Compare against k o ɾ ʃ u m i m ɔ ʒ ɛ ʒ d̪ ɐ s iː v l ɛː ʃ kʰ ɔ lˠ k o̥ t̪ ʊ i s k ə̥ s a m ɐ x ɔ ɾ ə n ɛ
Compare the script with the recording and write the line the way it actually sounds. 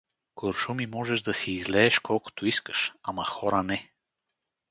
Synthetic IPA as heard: k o ɾ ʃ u m i m ɔ ʒ ɛ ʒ d̪ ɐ s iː z l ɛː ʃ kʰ ɔ lˠ k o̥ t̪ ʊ i s k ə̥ ʃ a m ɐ x ɔ ɾ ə n ɛ